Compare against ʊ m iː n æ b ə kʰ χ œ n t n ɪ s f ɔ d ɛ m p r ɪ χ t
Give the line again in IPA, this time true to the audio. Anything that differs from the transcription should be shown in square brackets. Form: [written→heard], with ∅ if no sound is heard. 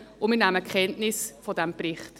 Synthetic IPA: ʊ m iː n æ [b→m] ə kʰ χ [œ→ɛ] n t n ɪ s f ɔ d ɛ m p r ɪ χ t